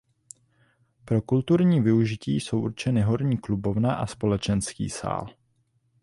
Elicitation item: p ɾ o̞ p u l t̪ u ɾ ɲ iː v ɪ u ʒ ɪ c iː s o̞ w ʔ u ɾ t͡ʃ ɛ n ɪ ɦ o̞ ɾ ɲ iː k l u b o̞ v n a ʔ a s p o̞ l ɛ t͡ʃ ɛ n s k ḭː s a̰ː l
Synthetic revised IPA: p ɾ o̞ k u l t̪ u ɾ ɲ iː v ɪ u ʒ ɪ c iː s o̞ w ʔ u ɾ t͡ʃ ɛ n ɪ ɦ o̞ ɾ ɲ iː k l u b o̞ v n a ʔ a s p o̞ l ɛ t͡ʃ ɛ n s k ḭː s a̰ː l